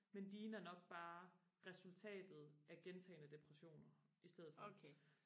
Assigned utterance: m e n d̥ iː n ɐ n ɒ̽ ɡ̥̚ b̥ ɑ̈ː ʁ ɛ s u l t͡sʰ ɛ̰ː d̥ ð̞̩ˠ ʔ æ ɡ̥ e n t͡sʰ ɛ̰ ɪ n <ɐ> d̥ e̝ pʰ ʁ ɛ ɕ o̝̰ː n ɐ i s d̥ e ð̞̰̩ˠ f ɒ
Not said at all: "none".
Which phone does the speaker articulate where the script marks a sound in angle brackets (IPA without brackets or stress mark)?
ə